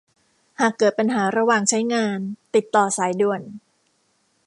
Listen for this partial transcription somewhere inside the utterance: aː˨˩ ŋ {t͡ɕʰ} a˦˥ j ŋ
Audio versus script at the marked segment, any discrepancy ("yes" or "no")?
no